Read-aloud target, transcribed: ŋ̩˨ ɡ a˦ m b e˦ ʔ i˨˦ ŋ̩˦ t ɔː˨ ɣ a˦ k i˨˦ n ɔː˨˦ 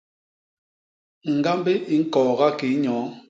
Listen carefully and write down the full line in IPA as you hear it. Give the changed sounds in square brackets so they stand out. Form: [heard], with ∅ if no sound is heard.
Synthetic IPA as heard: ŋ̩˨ ɡ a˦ m b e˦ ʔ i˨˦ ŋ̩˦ [k] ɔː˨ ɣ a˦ k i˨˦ [ɲ] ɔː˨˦